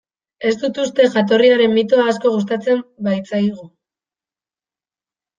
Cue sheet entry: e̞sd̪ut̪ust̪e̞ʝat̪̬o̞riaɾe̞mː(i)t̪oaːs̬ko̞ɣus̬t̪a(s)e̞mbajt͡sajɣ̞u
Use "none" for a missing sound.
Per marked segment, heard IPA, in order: i, t͡s

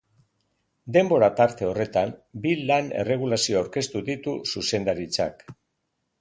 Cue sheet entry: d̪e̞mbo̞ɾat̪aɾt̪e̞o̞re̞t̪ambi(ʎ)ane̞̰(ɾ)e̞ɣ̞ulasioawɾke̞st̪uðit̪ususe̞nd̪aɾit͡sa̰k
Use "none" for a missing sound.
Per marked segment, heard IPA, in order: l, r

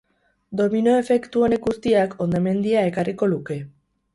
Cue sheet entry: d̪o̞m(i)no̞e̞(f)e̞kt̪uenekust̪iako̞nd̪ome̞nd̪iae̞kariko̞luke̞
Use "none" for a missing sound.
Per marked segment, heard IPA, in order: i, f

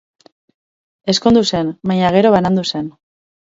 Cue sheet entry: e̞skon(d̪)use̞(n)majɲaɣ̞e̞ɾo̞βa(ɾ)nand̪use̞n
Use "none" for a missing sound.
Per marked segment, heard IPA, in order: d̪, n, none

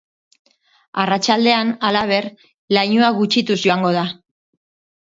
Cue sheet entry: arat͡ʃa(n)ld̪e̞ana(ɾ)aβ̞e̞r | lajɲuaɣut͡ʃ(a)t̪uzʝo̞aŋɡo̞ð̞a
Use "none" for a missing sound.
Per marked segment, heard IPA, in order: none, l, i

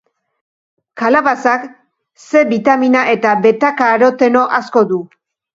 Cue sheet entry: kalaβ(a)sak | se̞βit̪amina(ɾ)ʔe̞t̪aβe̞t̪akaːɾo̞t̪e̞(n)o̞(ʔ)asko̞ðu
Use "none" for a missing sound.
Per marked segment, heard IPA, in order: a, none, n, ʔ

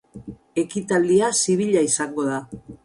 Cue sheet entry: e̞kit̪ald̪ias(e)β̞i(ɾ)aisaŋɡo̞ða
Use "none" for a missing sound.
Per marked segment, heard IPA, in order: i, ʎ

